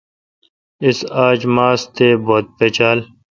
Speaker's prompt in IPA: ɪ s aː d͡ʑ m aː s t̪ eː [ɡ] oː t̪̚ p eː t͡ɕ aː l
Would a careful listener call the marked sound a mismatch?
yes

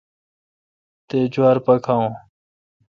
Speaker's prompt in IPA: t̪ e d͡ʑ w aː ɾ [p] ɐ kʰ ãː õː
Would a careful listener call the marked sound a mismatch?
no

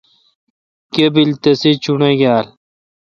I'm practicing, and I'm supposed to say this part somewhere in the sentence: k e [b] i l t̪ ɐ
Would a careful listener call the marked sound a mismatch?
no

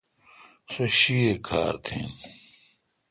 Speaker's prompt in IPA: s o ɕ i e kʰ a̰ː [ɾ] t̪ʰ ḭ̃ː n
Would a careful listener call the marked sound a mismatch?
no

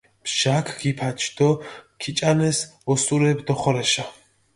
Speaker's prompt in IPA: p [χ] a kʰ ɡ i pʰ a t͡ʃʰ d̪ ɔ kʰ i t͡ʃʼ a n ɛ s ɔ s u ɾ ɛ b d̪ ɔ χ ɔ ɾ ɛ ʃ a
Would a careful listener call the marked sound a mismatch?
yes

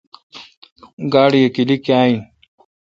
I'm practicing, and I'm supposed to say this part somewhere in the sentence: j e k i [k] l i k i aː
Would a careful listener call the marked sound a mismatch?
yes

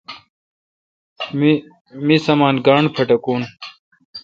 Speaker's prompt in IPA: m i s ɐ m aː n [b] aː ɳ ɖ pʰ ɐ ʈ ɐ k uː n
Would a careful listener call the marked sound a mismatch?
yes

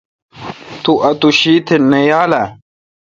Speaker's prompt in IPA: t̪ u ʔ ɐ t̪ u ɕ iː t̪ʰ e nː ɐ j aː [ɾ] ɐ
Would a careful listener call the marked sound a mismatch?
yes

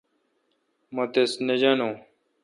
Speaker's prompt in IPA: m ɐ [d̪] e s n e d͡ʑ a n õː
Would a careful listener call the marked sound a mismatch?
yes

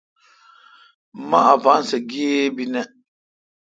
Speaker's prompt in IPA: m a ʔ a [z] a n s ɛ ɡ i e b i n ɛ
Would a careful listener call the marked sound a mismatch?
yes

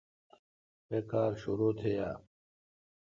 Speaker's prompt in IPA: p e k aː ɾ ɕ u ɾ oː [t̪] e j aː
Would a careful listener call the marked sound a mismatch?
yes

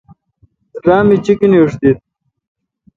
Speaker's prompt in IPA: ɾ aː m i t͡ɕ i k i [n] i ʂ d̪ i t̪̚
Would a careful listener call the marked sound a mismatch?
no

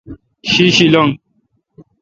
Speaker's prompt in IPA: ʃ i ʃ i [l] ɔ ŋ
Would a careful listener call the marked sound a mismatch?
no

